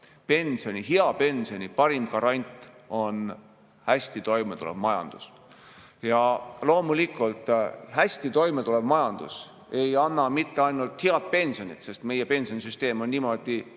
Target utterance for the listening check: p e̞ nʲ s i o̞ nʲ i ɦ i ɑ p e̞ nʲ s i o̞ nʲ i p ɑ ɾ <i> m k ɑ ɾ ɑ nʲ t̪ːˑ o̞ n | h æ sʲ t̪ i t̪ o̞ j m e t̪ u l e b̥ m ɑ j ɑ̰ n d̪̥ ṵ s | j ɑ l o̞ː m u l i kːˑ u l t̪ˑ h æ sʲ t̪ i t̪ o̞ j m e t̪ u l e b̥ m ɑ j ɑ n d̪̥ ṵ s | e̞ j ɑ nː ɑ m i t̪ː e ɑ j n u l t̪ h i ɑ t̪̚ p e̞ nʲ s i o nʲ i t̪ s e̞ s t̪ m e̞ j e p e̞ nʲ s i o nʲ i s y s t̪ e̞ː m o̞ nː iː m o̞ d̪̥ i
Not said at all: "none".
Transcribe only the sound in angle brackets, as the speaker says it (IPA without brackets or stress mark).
i